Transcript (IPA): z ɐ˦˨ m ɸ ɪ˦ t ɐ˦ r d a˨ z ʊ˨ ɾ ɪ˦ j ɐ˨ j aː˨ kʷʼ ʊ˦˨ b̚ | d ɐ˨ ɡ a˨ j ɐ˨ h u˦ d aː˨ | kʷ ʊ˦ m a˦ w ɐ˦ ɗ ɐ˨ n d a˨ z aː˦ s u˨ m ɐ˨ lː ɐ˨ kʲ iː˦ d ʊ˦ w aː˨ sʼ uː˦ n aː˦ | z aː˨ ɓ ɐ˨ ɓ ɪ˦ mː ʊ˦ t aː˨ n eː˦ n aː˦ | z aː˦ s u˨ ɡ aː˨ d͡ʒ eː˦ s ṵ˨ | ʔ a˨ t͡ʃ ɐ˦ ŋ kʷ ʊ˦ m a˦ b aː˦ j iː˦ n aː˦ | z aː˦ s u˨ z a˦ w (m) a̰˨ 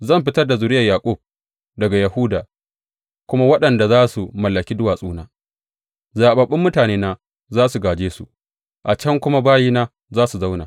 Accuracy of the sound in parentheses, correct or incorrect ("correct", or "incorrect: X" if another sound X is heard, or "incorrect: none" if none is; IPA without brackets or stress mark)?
incorrect: n